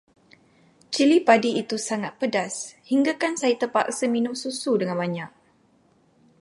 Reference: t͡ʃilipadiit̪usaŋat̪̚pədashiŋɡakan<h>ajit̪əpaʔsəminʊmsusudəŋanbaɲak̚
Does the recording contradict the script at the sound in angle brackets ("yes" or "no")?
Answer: yes